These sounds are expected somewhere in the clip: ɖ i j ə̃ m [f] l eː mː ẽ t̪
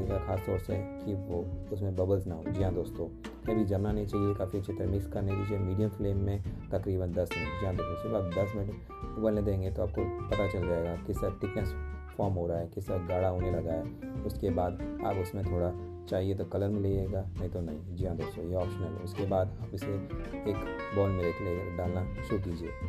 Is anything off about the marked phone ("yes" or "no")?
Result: no